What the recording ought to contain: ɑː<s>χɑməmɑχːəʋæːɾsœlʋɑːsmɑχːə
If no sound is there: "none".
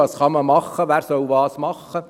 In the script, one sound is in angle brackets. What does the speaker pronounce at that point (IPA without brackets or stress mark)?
s